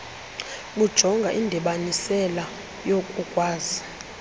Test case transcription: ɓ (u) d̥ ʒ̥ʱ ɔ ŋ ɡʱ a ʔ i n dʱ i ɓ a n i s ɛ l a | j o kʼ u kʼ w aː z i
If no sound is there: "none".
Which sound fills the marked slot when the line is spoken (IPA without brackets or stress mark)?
u